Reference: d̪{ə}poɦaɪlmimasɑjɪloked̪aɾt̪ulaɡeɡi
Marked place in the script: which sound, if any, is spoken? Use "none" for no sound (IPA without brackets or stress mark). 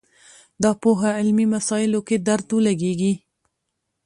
ɑ